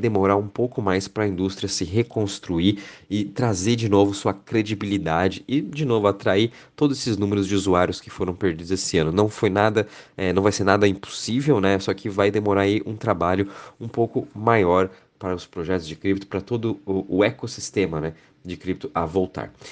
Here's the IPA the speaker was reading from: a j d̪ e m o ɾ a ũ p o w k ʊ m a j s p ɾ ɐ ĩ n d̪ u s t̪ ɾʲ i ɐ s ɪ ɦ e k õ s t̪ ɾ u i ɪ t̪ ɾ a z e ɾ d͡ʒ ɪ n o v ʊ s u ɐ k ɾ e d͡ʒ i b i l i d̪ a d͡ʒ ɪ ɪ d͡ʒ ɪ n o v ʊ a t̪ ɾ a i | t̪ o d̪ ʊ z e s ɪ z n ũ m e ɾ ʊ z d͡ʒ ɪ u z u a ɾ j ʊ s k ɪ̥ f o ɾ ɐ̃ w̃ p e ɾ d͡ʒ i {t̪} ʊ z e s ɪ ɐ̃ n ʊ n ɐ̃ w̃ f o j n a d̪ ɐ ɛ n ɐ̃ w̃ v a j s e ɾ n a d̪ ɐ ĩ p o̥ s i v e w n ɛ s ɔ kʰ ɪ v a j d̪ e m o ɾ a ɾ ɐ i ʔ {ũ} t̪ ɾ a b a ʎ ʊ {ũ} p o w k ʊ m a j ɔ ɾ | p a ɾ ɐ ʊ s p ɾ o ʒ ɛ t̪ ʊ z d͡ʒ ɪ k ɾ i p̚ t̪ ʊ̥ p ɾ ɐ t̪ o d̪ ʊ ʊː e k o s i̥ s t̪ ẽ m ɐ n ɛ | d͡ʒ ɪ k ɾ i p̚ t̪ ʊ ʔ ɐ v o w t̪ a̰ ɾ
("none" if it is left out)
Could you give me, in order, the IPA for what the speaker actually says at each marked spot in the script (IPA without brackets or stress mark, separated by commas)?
d̪, ũ, ũ